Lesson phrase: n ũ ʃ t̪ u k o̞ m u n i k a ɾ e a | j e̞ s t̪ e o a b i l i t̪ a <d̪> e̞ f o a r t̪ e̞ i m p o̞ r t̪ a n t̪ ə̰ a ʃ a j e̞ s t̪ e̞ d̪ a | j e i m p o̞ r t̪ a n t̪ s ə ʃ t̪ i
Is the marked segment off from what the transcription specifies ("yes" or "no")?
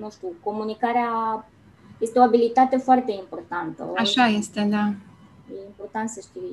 yes